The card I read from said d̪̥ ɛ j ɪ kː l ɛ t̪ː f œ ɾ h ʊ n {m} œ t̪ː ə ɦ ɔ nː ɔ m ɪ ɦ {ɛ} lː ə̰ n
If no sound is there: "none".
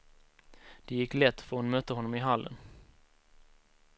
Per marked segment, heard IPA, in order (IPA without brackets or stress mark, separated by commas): m, a